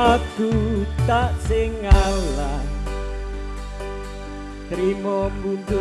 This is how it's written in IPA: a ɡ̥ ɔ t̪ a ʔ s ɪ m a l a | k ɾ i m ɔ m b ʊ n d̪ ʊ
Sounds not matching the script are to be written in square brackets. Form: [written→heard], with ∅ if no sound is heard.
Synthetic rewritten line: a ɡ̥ [ɔ→u] t̪ a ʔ s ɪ [m→ŋ] a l a | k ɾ i m ɔ m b [ʊ→u] n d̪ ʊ